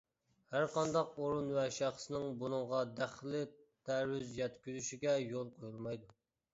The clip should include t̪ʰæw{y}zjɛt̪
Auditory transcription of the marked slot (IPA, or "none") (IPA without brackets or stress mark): y